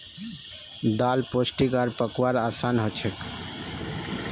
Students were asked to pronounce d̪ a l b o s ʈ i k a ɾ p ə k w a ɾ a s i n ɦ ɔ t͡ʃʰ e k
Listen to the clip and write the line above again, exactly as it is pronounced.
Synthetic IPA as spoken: d̪ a l p o s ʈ i k a ɾ p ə k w a ɾ a s a n ɦ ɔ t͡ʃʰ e k